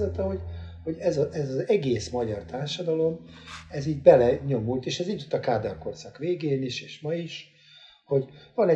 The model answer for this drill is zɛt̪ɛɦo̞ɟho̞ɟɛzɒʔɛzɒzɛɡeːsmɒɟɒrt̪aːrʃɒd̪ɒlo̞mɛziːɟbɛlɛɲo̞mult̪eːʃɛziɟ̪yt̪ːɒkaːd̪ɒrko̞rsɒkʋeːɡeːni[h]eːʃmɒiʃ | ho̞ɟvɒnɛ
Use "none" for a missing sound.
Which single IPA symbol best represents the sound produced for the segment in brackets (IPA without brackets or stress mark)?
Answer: ʃ